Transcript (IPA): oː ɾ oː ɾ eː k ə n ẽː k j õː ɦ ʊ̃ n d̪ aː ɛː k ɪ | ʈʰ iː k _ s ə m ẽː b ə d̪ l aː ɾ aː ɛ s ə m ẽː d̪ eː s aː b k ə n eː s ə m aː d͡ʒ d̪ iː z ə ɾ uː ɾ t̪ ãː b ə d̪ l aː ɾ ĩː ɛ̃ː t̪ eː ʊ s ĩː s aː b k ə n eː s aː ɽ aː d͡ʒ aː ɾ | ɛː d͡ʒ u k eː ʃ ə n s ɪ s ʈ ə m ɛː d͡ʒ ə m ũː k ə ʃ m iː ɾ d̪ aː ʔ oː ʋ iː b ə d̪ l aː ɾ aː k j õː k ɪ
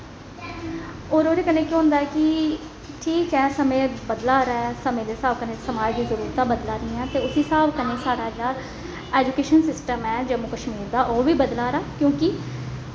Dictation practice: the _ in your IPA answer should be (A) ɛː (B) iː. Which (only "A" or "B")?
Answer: A